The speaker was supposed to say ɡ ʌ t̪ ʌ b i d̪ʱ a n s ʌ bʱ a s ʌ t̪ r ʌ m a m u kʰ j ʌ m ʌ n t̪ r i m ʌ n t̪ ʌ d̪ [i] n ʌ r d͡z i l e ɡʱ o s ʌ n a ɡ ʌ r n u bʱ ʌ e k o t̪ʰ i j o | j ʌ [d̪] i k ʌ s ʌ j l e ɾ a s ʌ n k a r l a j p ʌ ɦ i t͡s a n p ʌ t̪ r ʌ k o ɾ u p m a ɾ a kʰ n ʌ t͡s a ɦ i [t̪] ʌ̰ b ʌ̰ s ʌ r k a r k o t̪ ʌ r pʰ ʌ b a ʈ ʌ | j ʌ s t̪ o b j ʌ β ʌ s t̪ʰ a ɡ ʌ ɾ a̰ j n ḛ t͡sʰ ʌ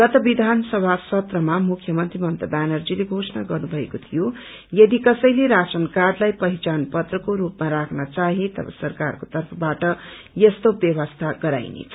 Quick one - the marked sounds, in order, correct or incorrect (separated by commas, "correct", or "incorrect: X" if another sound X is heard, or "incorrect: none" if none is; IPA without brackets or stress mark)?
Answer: incorrect: a, correct, correct